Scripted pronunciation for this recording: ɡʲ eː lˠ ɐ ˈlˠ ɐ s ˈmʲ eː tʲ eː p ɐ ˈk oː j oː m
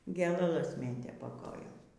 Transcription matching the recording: ɡʲ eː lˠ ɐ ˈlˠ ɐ s ˈmʲ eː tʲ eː p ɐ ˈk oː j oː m